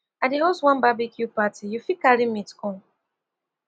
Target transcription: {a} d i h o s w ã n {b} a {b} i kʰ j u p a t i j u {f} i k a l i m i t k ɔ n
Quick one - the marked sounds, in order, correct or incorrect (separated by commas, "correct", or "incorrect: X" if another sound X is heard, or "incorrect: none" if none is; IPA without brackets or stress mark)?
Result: correct, correct, correct, correct